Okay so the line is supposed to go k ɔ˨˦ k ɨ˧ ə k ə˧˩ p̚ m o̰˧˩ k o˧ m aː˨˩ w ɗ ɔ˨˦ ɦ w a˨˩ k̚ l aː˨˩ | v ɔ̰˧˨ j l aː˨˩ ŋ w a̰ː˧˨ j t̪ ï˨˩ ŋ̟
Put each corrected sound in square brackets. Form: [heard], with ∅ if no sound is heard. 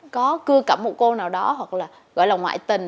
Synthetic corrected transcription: k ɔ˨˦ k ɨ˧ ə k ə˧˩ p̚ m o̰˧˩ k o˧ [n] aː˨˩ w ɗ ɔ˨˦ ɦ w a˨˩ k̚ l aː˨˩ | [ɣ] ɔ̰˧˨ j l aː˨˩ ŋ w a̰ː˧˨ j t̪ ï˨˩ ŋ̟